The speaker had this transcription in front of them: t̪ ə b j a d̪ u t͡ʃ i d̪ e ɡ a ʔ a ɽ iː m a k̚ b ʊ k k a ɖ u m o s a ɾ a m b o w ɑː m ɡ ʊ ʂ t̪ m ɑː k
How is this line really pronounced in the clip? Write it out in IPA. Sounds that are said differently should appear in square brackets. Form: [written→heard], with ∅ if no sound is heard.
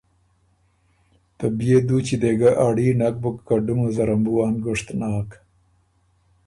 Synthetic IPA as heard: t̪ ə b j [a→e] d̪ u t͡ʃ i d̪ e ɡ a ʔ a ɽ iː [m→n] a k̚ b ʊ k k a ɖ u m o [s→z] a ɾ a m b [o→u] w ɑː [m→n] ɡ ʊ ʂ t̪ [m→n] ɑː k